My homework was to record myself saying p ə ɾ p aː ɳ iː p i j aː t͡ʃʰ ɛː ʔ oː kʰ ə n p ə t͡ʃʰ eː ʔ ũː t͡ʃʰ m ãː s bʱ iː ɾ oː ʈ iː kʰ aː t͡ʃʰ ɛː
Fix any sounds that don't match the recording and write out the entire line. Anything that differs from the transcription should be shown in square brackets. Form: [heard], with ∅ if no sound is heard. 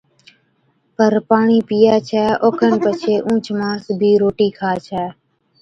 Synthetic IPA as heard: p ə ɾ p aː ɳ iː p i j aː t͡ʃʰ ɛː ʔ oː kʰ ə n p ə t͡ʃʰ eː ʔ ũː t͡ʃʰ m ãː s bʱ iː ɾ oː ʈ iː kʰ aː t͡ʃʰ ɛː

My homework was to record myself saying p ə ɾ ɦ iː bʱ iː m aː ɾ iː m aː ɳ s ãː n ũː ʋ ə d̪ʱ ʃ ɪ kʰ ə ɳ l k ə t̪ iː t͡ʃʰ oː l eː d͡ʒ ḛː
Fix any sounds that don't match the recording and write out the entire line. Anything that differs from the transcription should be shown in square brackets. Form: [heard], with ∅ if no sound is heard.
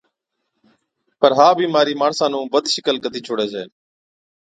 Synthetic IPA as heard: p ə ɾ ɦ [aː] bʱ iː m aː ɾ iː m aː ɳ s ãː n ũː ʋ ə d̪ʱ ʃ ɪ [k] ə [∅] l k ə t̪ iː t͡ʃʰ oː [ɽ] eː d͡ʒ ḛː

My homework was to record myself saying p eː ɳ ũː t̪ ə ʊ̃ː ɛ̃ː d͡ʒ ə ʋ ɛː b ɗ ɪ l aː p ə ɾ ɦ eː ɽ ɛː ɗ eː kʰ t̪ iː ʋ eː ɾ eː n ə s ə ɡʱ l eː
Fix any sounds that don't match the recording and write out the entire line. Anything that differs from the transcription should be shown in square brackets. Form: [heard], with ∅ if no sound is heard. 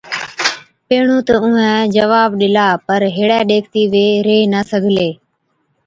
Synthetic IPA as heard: p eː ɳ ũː t̪ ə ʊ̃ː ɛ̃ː d͡ʒ ə ʋ [aː] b ɗ ɪ l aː p ə ɾ ɦ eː ɽ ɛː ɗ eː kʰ t̪ iː ʋ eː ɾ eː n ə s ə ɡʱ l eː

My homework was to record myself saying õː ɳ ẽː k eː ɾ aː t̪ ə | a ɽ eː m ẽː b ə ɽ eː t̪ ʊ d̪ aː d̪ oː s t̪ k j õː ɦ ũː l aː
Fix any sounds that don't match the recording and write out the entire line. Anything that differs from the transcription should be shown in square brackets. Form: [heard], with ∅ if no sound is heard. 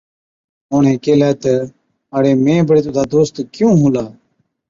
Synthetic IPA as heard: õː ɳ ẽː k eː [l] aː t̪ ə | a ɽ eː m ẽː b ə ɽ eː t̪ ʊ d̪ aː d̪ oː s t̪ k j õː ɦ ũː l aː

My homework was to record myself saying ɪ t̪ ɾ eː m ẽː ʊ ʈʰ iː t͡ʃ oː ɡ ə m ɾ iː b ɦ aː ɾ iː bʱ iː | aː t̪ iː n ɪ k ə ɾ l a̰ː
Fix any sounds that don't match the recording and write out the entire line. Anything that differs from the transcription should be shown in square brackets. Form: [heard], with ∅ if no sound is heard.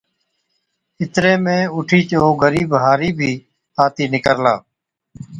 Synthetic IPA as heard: ɪ t̪ ɾ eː m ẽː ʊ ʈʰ iː t͡ʃ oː ɡ ə [∅] ɾ iː b ɦ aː ɾ iː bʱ iː | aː t̪ iː n ɪ k ə ɾ l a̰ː

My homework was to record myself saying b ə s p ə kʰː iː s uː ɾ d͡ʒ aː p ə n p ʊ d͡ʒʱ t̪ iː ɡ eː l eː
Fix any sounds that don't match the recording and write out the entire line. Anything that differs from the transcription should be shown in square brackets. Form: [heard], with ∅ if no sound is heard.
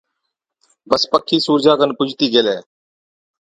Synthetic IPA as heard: b ə s p ə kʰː iː s uː ɾ d͡ʒ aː [k] ə n p ʊ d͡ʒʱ t̪ iː ɡ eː l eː

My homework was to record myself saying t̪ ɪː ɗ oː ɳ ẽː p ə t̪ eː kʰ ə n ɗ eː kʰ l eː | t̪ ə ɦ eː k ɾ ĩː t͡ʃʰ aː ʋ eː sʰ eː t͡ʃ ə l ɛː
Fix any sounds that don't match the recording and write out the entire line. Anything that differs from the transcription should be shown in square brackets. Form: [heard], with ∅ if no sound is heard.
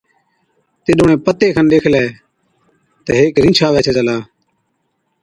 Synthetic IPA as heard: t̪ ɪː ɗ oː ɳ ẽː p ə t̪ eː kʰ ə n ɗ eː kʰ l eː | t̪ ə ɦ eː k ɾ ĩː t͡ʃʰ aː ʋ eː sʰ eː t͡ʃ ə l [aː]

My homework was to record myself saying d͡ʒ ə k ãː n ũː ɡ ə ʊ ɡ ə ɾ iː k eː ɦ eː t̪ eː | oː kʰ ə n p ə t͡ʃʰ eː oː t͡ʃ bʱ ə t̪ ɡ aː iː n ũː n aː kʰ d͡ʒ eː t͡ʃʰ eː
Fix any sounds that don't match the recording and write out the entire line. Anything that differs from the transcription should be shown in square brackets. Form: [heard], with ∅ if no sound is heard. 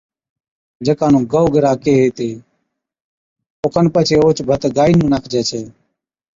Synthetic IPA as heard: d͡ʒ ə k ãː n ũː ɡ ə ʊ ɡ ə ɾ [aː] k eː ɦ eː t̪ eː | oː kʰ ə n p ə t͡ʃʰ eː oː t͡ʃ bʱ ə t̪ ɡ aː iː n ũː n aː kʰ d͡ʒ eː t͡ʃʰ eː

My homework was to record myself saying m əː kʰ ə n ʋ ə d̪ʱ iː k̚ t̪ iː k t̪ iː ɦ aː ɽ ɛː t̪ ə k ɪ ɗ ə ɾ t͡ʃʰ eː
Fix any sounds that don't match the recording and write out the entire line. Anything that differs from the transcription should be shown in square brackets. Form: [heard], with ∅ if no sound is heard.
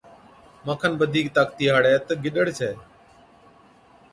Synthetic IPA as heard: m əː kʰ ə n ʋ ə d̪ʱ iː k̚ t̪ [aː] k t̪ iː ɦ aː ɽ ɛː t̪ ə [ɡ] ɪ ɗ ə [ɽ] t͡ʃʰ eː

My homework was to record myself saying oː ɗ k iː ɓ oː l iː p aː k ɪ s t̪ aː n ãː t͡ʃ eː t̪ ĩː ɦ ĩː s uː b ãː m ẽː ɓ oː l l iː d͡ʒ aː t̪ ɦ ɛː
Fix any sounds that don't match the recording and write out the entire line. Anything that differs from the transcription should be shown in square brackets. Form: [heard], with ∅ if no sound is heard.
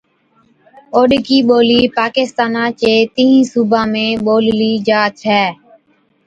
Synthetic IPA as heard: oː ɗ k iː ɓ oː l iː p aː k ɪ s t̪ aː n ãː t͡ʃ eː t̪ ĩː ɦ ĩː s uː b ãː m ẽː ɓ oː l l iː d͡ʒ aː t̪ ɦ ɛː

